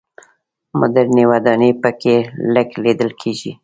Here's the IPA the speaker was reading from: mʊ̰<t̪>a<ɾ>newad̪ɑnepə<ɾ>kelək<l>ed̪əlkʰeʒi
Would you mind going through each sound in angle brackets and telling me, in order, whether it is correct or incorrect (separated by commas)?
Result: incorrect, correct, incorrect, correct